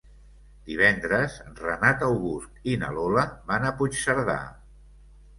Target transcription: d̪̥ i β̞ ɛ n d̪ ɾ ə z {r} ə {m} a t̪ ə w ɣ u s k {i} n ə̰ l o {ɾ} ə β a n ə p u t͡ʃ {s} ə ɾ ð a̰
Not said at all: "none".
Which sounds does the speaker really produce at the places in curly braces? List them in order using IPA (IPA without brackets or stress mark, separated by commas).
r, n, i, l, s